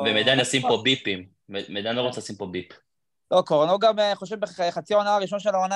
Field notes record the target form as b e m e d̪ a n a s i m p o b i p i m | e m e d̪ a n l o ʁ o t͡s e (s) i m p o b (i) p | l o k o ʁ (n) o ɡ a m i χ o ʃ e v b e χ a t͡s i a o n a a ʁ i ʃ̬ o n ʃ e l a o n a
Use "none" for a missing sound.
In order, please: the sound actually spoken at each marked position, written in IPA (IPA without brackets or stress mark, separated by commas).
s, i, n